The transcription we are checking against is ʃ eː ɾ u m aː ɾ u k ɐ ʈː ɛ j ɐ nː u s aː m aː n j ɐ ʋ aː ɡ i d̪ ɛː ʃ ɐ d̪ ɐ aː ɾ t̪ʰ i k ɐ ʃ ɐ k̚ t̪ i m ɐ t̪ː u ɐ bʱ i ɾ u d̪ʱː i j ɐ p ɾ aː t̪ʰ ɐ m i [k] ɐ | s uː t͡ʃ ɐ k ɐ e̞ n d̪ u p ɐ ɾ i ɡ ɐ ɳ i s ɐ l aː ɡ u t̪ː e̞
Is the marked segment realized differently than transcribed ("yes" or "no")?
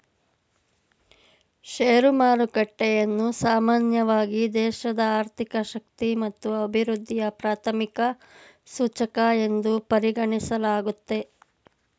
no